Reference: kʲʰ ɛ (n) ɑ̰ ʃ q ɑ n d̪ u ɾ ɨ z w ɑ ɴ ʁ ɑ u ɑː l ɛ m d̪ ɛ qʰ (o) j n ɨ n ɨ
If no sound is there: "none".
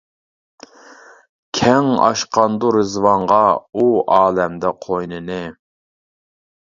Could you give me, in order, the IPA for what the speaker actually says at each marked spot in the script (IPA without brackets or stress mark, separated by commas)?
ŋ, o